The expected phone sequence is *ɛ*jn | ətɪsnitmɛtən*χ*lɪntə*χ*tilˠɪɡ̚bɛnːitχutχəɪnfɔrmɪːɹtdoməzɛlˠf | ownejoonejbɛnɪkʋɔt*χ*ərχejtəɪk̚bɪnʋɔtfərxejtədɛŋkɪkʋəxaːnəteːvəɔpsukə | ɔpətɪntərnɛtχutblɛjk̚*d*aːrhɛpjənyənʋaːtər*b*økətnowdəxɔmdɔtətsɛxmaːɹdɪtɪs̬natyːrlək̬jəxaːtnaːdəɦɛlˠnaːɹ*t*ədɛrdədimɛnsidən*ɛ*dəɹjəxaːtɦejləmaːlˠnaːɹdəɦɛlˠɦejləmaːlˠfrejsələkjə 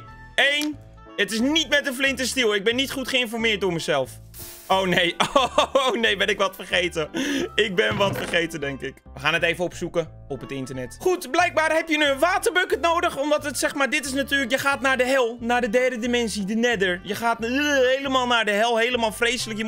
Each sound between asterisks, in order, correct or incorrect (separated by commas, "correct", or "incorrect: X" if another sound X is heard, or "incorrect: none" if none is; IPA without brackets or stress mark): incorrect: e, incorrect: f, incorrect: s, incorrect: f, incorrect: b, correct, incorrect: d, correct